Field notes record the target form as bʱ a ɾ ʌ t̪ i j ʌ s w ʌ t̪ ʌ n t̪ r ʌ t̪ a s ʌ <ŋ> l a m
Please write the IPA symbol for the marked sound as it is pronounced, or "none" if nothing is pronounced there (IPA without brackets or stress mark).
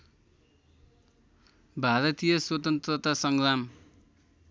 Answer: ŋ